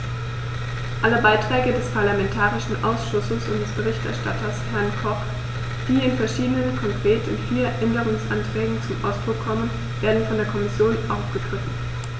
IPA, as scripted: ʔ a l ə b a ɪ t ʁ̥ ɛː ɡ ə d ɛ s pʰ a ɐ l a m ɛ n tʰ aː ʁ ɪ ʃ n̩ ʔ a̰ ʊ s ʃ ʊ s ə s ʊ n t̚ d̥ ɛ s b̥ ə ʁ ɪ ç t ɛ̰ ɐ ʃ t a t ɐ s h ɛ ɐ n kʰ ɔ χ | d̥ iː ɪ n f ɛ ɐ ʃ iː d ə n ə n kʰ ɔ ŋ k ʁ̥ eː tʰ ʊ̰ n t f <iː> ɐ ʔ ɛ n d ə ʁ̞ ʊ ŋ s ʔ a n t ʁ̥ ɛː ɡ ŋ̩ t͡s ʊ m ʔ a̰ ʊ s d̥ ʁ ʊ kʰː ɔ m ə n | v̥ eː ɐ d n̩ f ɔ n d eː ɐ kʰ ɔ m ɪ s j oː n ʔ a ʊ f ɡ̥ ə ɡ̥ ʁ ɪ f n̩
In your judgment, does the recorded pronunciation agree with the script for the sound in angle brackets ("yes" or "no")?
yes